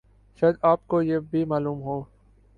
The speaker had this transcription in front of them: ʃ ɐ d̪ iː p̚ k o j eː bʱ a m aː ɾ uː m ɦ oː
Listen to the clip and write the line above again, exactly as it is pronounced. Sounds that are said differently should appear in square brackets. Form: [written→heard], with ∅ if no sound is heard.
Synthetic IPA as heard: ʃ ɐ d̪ [iː→aː] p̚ k o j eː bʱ [a→i] m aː [ɾ→l] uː m ɦ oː